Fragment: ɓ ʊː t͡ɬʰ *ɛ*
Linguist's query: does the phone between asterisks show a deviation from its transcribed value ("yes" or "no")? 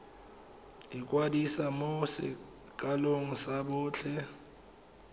no